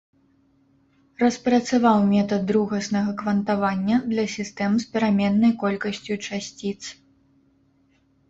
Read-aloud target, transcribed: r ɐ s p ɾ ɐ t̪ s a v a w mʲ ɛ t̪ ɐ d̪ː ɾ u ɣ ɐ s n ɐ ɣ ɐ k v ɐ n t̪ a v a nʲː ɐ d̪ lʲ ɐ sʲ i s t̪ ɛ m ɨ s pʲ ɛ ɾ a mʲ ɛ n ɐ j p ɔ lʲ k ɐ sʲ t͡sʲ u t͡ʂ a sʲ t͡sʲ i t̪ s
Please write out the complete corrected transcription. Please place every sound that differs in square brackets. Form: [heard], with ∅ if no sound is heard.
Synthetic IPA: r ɐ s p ɾ ɐ t̪ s a v a w mʲ ɛ t̪ ɐ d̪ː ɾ u ɣ ɐ s n ɐ ɣ ɐ k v ɐ n t̪ a v a nʲː ɐ d̪ lʲ ɐ sʲ i s t̪ ɛ m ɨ s pʲ ɛ ɾ a mʲ ɛ [nː] ɐ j [k] ɔ lʲ k ɐ sʲ t͡sʲ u t͡ʂ a sʲ t͡sʲ i t̪ s

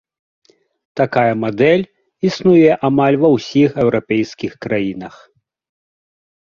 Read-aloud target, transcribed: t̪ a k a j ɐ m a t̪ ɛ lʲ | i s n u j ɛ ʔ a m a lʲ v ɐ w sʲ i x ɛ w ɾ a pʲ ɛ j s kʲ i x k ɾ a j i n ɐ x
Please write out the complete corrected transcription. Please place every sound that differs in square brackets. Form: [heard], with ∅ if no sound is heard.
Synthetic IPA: t̪ a k a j ɐ m a [d̪] ɛ lʲ | i s n u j ɛ ʔ a m a lʲ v ɐ w sʲ i x ɛ w ɾ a pʲ ɛ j s kʲ i x k ɾ a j i n ɐ x

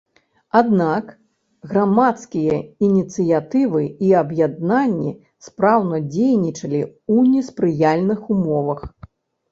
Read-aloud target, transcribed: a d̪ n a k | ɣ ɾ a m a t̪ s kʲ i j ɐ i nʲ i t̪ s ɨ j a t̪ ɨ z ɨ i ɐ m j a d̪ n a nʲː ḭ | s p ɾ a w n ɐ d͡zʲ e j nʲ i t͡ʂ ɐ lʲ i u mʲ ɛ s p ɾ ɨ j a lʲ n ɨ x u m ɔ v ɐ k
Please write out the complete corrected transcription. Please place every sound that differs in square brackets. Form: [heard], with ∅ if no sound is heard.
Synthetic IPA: a d̪ n a k | ɣ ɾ a m a t̪ s kʲ i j ɐ i nʲ i t̪ s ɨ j a t̪ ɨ [v] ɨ i ɐ [b] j a d̪ n a nʲː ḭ | s p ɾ a w n ɐ d͡zʲ e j nʲ i t͡ʂ ɐ lʲ i u [nʲ] ɛ s p ɾ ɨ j a lʲ n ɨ x u m ɔ v ɐ [x]

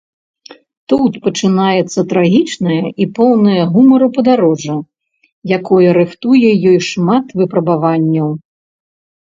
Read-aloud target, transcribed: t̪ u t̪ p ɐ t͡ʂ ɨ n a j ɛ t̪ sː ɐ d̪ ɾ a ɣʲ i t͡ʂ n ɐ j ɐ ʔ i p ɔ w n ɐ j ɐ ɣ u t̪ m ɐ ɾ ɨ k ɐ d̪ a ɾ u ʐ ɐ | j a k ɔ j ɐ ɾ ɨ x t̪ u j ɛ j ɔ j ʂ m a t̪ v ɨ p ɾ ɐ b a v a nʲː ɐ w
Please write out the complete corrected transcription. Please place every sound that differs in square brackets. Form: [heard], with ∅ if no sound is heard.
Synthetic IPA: t̪ u t̪ p ɐ t͡ʂ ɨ n a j ɛ t̪ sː ɐ [t̪] ɾ a ɣʲ i t͡ʂ n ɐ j ɐ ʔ i p ɔ w n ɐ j ɐ ɣ u [∅] m ɐ ɾ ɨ [p] ɐ d̪ a ɾ [ɔ] ʐ ɐ | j a k ɔ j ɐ ɾ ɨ x t̪ u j ɛ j ɔ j ʂ m a t̪ v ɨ p ɾ ɐ b a v a nʲː ɐ w

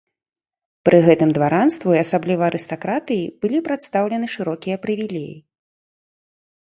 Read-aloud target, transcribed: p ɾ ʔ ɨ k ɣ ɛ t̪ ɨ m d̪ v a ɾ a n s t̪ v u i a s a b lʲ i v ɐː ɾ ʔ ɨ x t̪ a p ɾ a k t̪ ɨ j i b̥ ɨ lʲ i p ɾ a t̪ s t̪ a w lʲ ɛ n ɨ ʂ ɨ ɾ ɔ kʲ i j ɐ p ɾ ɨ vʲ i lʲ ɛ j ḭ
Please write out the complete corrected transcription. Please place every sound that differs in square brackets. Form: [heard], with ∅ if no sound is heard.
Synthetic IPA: p ɾ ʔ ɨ [∅] ɣ ɛ t̪ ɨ m d̪ v a ɾ a n s t̪ v u i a s a b lʲ i v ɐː ɾ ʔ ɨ [s] t̪ a [k] ɾ a [∅] t̪ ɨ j i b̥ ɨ lʲ i p ɾ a t̪ s t̪ a w lʲ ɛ n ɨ ʂ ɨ ɾ ɔ kʲ i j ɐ p ɾ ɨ vʲ i lʲ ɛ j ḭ

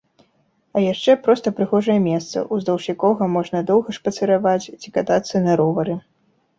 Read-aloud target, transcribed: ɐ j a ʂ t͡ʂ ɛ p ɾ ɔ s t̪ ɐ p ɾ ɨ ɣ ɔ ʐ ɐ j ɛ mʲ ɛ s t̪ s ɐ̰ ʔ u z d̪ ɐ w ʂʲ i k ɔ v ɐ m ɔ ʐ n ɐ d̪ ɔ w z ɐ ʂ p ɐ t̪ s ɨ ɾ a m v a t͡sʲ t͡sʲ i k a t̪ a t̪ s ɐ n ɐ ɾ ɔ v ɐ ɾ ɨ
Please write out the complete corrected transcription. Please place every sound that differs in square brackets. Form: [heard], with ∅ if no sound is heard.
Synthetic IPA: ɐ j a ʂ t͡ʂ ɛ p ɾ ɔ s t̪ ɐ p ɾ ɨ ɣ ɔ ʐ ɐ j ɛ mʲ ɛ s t̪ s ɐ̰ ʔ u z d̪ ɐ w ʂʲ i k ɔ [ɣ] ɐ m ɔ ʐ n ɐ d̪ ɔ w [ɣ] ɐ ʂ p ɐ t̪ s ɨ ɾ a [∅] v a t͡sʲ t͡sʲ i k a t̪ a t̪ s ɐ n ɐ ɾ ɔ v ɐ ɾ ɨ

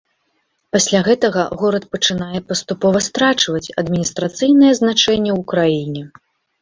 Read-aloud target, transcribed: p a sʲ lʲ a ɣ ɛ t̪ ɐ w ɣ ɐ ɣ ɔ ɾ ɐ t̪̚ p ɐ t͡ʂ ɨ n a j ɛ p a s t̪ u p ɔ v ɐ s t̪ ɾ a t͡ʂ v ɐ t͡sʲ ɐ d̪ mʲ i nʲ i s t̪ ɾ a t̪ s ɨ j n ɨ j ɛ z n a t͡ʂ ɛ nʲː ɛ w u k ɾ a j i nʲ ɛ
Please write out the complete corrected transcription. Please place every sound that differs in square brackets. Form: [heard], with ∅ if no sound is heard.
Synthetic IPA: p a sʲ lʲ a ɣ ɛ t̪ ɐ [∅] ɣ ɐ ɣ ɔ ɾ ɐ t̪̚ p ɐ t͡ʂ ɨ n a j ɛ p [ɐ] s t̪ u p ɔ v ɐ s t̪ ɾ a t͡ʂ v ɐ t͡sʲ ɐ d̪ mʲ i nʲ i s t̪ ɾ a t̪ s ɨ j n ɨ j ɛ z n a t͡ʂ ɛ nʲː ɛ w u k ɾ a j i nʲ ɛ

